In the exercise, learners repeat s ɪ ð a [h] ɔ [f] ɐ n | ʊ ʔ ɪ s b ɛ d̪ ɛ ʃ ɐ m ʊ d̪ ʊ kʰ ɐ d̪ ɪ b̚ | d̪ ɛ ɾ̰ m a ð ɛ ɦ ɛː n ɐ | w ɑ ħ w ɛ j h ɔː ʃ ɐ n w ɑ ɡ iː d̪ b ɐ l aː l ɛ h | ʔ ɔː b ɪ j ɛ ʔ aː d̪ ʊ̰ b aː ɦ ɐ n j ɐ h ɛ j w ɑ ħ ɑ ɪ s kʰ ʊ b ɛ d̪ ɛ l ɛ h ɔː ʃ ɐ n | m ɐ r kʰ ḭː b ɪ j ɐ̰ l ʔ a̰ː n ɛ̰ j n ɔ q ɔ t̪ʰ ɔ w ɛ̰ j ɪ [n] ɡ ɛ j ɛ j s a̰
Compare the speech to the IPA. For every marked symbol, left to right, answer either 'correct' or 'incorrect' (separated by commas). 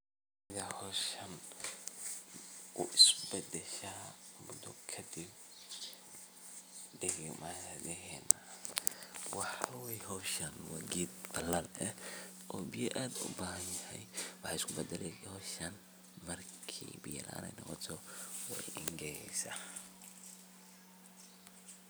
correct, incorrect, incorrect